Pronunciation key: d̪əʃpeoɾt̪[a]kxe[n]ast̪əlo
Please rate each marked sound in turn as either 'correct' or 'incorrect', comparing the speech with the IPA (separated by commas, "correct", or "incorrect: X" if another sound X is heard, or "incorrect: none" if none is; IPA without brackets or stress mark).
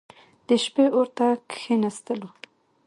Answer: correct, correct